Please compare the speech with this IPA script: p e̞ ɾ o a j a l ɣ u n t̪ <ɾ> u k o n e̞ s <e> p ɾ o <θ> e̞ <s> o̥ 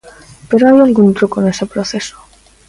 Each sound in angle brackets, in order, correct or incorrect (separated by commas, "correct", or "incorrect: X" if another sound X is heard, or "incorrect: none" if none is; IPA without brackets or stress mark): correct, correct, correct, correct